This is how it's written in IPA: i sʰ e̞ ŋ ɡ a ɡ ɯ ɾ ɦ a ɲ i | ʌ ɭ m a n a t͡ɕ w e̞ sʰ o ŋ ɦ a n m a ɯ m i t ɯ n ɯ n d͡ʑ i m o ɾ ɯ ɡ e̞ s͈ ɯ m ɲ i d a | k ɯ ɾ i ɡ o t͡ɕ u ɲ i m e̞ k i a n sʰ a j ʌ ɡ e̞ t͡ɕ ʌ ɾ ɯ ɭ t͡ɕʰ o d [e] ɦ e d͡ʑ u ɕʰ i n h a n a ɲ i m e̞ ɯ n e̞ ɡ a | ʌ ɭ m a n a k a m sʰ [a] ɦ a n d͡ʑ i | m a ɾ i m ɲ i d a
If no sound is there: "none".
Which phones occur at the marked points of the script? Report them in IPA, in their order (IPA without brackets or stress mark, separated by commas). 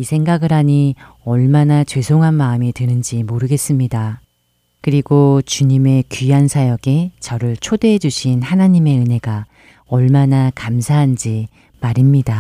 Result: e, a